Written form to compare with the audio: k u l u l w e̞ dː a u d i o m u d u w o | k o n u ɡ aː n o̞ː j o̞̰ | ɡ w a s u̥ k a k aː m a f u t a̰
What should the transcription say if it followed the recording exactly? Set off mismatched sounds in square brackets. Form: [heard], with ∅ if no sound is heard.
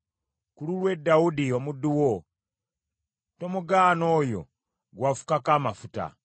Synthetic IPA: k u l u l w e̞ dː a u d i o m u d u w o | [t] o [m] u ɡ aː n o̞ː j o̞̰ | ɡ w a [f] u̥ k a k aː m a f u t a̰